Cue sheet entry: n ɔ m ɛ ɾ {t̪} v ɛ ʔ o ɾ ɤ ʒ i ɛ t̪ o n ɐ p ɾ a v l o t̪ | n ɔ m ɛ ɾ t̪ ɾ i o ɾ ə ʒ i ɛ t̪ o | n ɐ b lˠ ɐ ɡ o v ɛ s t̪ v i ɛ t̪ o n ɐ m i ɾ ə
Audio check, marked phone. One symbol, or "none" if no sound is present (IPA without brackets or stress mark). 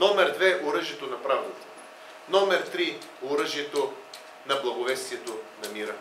d̪